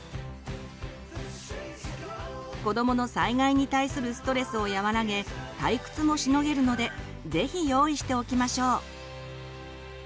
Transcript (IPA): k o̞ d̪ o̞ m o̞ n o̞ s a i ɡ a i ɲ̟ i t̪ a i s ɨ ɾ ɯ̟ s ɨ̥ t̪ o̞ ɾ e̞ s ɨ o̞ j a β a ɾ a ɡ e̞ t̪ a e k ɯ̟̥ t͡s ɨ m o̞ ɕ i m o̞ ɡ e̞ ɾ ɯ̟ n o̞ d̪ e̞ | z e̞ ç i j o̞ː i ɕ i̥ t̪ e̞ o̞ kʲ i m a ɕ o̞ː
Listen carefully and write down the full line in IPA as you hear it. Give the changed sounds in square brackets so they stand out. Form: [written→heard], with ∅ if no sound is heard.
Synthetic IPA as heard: k o̞ d̪ o̞ m o̞ n o̞ s a i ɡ a i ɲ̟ i t̪ a i s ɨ ɾ ɯ̟ s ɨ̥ t̪ o̞ ɾ e̞ s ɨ o̞ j a β a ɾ a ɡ e̞ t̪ a [e→i] k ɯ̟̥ t͡s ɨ m o̞ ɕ i [m→n] o̞ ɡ e̞ ɾ ɯ̟ n o̞ d̪ e̞ | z e̞ ç i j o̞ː i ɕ i̥ t̪ e̞ o̞ kʲ i m a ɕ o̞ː